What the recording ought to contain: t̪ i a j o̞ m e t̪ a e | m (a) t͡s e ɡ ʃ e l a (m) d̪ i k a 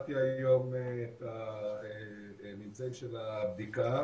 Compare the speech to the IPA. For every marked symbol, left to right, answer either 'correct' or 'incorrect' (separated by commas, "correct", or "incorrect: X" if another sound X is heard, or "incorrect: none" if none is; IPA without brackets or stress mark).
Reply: incorrect: i, incorrect: b